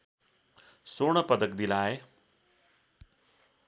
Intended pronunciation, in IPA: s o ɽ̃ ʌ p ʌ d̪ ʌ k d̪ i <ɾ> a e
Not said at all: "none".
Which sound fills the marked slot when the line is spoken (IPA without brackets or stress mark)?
l